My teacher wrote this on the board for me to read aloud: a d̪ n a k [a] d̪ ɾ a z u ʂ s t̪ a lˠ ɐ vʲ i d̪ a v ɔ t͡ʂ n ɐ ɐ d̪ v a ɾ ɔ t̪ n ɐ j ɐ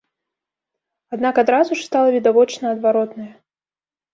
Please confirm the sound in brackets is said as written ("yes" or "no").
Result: yes